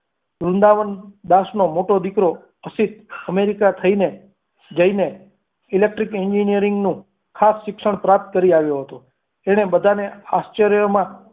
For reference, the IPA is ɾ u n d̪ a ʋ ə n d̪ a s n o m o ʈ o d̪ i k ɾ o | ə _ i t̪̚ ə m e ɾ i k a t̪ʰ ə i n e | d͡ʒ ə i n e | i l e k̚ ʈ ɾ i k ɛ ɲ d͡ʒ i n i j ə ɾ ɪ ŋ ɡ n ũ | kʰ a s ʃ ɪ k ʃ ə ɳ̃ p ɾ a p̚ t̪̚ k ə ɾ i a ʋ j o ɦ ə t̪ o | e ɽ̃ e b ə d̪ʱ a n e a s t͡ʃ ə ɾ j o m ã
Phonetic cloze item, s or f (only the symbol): s